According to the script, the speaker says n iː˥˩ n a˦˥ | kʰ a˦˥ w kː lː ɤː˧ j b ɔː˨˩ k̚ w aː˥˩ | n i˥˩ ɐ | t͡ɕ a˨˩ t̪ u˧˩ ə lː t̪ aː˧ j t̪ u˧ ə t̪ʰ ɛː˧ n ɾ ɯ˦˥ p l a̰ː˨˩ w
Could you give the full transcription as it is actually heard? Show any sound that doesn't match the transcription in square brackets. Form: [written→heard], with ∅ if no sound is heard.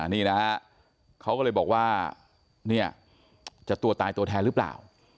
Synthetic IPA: n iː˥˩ n a˦˥ | kʰ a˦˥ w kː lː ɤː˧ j b ɔː˨˩ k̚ w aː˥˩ | n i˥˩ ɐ | t͡ɕ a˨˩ t̪ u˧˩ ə [lː→∅] t̪ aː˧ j t̪ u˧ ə t̪ʰ ɛː˧ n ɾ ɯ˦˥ p l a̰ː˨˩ w